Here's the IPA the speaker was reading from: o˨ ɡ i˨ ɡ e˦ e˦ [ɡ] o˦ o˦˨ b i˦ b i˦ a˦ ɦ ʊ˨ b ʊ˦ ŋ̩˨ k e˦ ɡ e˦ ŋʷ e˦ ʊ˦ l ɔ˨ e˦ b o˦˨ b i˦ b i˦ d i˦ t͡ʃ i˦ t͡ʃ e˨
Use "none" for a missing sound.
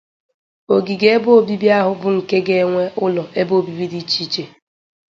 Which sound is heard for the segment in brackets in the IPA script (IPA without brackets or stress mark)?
b